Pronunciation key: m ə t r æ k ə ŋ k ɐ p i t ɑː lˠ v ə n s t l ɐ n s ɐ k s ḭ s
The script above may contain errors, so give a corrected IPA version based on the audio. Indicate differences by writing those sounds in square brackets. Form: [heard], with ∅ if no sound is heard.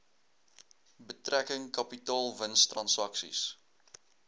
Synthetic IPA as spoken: [b] ə t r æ k ə ŋ k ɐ p i t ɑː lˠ v ə n s t [r] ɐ n s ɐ k s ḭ s